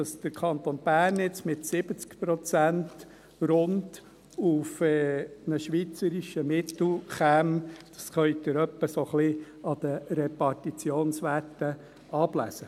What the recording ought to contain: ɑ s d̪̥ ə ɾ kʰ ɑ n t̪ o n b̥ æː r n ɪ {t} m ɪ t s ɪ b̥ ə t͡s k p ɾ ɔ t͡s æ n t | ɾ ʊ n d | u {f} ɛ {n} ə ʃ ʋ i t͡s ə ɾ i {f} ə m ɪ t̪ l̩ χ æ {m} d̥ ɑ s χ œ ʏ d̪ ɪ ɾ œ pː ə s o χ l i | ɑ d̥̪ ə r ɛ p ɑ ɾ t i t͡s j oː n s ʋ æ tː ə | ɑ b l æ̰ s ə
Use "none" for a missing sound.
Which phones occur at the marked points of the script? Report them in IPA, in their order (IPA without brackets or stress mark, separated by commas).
t͡s, f, n, ʃ, m